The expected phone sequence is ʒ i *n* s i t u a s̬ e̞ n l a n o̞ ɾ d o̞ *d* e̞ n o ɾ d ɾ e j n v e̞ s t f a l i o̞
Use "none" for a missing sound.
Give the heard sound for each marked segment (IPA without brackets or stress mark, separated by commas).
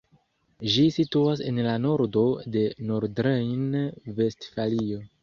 none, d